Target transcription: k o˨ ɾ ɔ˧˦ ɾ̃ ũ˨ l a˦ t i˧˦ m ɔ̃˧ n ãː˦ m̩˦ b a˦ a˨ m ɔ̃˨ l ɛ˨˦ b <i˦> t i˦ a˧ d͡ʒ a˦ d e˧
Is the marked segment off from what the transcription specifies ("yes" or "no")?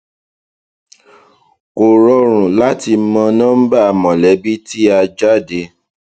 no